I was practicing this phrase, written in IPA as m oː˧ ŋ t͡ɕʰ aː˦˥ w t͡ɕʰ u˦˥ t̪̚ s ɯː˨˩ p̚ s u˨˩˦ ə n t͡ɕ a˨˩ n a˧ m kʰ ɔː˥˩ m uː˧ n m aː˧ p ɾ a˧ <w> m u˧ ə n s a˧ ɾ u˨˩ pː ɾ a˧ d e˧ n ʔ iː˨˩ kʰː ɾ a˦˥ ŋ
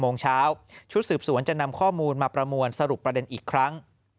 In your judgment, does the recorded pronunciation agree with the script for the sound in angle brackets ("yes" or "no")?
no